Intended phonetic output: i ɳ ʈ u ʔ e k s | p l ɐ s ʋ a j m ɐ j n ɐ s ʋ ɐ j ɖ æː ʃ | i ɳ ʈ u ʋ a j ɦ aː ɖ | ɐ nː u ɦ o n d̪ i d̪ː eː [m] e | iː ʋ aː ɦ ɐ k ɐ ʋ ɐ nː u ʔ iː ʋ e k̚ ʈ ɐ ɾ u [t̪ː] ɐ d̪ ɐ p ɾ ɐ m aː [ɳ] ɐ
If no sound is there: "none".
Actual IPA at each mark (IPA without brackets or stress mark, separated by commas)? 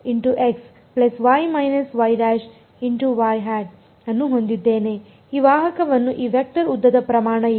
n, d̪ː, ɳ